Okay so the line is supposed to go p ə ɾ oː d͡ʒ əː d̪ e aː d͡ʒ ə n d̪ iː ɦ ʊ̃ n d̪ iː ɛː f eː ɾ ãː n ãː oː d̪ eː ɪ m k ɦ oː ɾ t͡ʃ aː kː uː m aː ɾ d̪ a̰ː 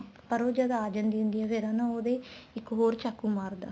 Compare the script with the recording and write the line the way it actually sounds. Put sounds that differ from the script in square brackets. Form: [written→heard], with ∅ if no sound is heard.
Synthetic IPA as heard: p ə ɾ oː d͡ʒ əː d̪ [e→a] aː d͡ʒ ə n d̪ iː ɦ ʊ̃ n d̪ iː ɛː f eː ɾ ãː n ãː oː d̪ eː ɪ [m→∅] k ɦ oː ɾ t͡ʃ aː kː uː m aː ɾ d̪ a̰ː